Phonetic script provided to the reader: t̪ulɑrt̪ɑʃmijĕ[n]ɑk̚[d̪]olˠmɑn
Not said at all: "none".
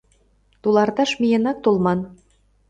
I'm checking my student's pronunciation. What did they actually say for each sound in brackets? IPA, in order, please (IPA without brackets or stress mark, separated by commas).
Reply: n, t̪